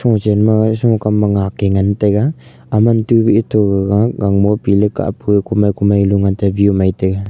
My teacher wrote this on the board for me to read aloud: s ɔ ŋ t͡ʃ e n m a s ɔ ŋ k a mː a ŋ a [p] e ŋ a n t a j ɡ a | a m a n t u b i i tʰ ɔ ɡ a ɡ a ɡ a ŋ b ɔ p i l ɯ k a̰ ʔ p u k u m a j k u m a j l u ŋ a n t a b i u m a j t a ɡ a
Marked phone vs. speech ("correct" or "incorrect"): incorrect